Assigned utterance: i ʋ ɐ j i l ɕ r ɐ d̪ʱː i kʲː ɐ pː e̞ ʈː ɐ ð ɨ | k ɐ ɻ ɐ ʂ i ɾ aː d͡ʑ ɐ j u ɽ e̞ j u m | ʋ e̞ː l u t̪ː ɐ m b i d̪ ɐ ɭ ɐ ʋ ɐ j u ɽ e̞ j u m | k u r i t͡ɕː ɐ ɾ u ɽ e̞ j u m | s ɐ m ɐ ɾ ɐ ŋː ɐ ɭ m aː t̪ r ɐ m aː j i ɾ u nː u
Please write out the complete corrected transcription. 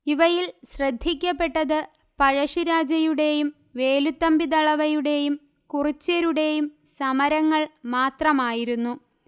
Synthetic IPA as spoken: i ʋ ɐ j i l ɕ r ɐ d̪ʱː i kʲː ɐ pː e̞ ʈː ɐ ð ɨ | p ɐ ɻ ɐ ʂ i ɾ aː d͡ʑ ɐ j u ɽ e̞ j u m | ʋ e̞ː l u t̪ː ɐ m b i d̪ ɐ ɭ ɐ ʋ ɐ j u ɽ e̞ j u m | k u r i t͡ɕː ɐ ɾ u ɽ e̞ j u m | s ɐ m ɐ ɾ ɐ ŋː ɐ ɭ m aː t̪ r ɐ m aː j i ɾ u nː u